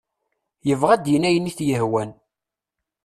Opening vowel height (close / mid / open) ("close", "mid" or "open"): mid